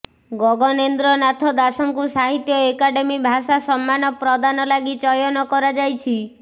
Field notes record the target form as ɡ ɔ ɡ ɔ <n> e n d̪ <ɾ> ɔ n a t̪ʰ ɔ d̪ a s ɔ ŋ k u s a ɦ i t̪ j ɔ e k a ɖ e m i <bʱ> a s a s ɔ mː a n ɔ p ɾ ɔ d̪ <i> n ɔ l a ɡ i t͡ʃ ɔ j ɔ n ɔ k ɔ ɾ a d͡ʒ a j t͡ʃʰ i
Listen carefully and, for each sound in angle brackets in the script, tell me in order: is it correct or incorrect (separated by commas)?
correct, correct, correct, incorrect